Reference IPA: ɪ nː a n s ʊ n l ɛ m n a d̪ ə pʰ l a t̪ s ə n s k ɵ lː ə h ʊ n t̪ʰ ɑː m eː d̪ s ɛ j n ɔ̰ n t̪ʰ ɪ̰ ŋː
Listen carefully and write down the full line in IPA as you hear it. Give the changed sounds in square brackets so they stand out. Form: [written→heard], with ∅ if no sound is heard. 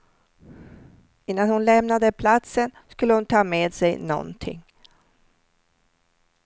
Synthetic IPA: ɪ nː a n [s→h] ʊ n l ɛ m n a d̪ ə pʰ l a t̪ s ə n s k ɵ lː ə h ʊ n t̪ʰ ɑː m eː d̪ s ɛ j n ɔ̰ n t̪ʰ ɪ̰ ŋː